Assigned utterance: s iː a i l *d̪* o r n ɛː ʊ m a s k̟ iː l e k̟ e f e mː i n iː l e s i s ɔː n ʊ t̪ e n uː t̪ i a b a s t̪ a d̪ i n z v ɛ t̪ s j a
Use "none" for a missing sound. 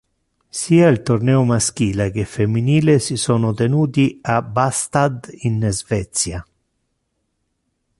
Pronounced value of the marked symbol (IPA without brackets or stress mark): t̪